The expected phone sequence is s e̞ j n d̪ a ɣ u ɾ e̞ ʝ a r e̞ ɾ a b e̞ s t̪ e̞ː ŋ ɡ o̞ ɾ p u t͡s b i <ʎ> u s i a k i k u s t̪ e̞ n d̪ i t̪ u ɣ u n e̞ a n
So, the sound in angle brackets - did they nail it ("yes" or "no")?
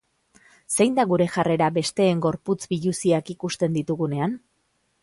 yes